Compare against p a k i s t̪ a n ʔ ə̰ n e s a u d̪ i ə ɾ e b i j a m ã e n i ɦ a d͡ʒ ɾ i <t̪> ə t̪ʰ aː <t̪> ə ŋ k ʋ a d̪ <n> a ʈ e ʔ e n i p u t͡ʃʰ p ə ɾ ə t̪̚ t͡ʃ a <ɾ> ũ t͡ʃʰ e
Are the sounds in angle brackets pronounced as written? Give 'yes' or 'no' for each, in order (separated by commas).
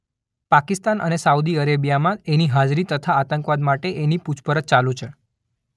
yes, yes, no, no